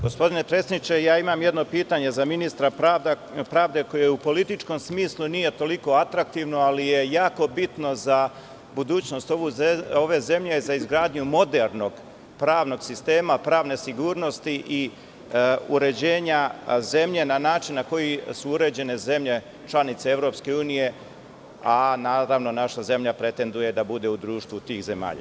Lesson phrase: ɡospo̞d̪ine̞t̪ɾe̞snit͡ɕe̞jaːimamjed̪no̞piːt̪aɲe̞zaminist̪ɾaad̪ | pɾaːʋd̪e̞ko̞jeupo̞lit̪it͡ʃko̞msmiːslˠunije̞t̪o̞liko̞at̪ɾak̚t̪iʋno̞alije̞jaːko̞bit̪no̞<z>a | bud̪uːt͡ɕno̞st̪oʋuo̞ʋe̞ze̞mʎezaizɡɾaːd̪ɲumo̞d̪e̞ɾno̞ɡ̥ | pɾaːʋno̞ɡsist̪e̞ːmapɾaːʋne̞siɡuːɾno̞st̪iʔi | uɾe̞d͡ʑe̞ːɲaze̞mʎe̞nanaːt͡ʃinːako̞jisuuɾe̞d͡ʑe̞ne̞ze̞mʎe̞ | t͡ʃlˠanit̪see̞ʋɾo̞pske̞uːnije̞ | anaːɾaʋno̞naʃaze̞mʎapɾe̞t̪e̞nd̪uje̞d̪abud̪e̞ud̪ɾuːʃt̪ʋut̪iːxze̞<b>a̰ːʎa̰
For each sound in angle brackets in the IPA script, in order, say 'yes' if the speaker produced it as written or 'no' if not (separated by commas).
yes, no